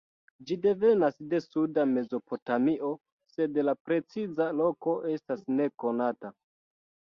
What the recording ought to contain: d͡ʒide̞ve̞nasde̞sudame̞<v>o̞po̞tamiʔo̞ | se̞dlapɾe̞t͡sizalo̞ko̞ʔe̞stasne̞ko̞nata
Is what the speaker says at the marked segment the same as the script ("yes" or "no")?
no